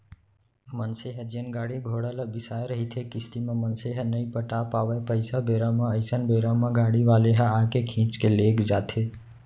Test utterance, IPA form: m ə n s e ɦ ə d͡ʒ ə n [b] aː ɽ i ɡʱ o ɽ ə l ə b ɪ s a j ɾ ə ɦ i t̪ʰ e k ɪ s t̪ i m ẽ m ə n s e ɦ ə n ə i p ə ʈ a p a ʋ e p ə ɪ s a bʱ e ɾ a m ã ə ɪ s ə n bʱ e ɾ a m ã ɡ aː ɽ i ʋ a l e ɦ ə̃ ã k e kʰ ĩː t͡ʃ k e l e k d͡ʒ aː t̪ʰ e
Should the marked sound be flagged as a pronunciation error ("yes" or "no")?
yes